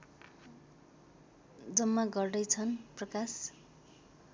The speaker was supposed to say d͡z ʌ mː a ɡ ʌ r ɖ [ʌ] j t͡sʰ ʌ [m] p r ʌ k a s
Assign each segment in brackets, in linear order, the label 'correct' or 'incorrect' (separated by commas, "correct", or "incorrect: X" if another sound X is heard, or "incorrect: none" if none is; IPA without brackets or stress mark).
correct, incorrect: n